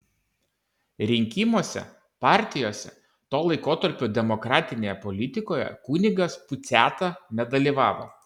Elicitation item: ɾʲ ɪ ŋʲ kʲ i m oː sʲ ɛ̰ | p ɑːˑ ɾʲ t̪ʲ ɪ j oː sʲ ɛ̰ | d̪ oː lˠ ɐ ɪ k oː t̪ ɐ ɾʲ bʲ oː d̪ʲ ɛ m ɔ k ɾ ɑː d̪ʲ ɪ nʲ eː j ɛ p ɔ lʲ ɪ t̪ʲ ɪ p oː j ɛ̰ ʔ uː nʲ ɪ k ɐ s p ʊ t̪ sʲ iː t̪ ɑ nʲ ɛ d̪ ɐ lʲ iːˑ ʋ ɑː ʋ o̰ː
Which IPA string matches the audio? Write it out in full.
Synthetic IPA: ɾʲ ɪ ŋʲ kʲ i m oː sʲ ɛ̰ | p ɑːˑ ɾʲ t̪ʲ ɪ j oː sʲ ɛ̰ | t̪ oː lˠ ɐ ɪ k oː t̪ ɐ ɾʲ pʲ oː d̪ʲ ɛ m ɔ k ɾ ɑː t̪ʲ ɪ nʲ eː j ɛ p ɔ lʲ ɪ t̪ʲ ɪ k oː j ɛ̰ k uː nʲ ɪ ɡ ɐ s p ʊ t̪ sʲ æː t̪ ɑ nʲ ɛ d̪ ɐ lʲ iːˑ ʋ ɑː ʋ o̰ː